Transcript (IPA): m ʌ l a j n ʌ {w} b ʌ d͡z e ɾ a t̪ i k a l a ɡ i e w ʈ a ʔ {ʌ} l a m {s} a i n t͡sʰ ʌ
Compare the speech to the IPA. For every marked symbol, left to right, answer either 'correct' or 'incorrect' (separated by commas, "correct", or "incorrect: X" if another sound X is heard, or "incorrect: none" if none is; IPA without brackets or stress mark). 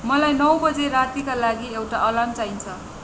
correct, correct, incorrect: t͡s